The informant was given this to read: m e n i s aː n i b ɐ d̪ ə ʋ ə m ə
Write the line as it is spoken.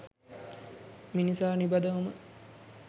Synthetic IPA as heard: m i n i s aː n i b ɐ d̪ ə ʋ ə m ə